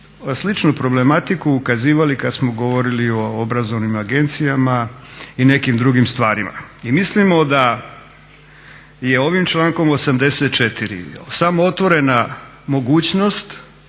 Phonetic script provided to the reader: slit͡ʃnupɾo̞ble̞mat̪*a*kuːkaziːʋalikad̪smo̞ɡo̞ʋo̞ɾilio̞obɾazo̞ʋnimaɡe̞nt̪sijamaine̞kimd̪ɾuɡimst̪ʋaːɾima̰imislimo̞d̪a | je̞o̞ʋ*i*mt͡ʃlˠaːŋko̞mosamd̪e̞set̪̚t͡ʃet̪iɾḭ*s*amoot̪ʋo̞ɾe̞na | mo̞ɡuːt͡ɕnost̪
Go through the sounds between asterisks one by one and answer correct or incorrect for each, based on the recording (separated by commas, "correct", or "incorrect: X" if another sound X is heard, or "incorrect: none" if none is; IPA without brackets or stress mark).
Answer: incorrect: i, correct, correct